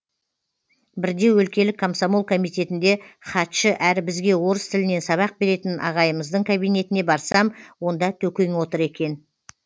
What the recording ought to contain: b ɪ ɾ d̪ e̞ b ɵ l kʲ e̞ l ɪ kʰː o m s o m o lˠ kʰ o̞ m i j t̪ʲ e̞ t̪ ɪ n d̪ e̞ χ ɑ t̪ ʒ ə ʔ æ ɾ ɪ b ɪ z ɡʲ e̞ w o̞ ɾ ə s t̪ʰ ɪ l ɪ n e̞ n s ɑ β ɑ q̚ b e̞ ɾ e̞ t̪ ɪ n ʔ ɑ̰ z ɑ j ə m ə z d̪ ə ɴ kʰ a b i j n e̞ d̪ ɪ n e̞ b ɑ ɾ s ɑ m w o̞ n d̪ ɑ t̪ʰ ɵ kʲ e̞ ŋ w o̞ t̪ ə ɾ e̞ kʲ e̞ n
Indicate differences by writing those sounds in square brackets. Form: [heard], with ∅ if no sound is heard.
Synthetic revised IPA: b ɪ ɾ d̪ e̞ [w] ɵ l kʲ e̞ l ɪ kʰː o m s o m o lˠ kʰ o̞ m i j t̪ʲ e̞ t̪ ɪ n d̪ e̞ χ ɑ t̪ [ʃ] ə ʔ æ ɾ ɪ b ɪ z ɡʲ e̞ w o̞ ɾ ə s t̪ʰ ɪ l ɪ n e̞ n s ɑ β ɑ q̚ b e̞ ɾ e̞ t̪ ɪ n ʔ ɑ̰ [ʁ] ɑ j ə m ə z d̪ ə ɴ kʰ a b i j n e̞ [t̪] ɪ n e̞ b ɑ ɾ s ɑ m w o̞ n d̪ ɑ t̪ʰ ɵ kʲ e̞ ŋ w o̞ t̪ ə ɾ e̞ kʲ e̞ n